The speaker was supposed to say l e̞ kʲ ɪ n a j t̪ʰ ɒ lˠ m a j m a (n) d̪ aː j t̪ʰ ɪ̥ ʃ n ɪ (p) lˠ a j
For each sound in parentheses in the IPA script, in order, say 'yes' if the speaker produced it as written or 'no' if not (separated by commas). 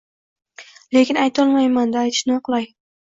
yes, no